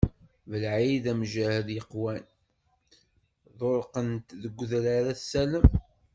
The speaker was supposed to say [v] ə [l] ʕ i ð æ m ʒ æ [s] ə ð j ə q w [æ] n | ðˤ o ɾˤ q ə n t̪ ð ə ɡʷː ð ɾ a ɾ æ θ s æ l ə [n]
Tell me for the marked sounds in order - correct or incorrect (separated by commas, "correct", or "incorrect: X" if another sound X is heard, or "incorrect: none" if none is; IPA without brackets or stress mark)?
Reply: correct, correct, incorrect: h, correct, incorrect: m